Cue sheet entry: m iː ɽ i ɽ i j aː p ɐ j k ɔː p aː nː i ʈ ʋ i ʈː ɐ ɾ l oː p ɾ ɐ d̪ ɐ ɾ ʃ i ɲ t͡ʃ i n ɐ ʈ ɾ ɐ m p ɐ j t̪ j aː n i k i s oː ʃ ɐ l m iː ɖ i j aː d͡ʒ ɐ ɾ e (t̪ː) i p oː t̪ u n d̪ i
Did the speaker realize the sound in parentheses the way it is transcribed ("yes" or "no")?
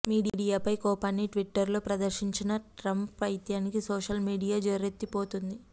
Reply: yes